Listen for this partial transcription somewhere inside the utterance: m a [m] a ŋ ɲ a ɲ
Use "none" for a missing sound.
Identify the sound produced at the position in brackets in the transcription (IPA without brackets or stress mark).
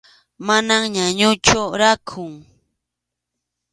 n